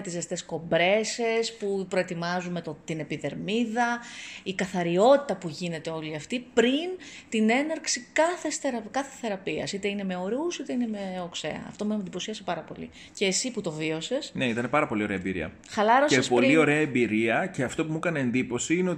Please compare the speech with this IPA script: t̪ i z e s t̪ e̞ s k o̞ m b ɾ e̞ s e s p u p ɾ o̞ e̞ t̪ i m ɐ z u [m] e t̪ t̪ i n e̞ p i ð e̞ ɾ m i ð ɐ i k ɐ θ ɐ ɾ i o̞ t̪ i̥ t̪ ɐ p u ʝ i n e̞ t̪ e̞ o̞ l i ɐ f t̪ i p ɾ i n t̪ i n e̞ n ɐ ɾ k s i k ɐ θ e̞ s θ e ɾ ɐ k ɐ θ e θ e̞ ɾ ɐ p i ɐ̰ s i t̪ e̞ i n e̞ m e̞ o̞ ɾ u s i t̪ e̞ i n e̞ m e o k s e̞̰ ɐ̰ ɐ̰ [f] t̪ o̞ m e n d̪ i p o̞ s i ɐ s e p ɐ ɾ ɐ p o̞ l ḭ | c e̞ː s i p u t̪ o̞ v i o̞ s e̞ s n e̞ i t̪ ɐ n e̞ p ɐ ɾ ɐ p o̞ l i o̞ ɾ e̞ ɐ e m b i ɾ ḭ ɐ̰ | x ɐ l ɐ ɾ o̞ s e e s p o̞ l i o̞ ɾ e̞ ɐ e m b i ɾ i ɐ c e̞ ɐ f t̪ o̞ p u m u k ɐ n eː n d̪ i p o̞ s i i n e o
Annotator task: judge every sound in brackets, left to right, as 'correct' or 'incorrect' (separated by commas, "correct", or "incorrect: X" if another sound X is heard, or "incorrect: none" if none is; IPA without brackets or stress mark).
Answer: correct, correct